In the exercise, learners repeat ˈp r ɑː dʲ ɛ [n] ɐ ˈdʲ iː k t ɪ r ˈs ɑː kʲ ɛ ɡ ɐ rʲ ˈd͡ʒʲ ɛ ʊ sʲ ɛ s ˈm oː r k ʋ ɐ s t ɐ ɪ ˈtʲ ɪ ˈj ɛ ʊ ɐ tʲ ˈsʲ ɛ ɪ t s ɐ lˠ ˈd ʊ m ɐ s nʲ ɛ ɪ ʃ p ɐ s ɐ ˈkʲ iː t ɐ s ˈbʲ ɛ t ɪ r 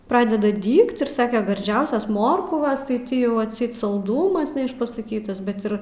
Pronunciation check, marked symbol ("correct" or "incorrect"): incorrect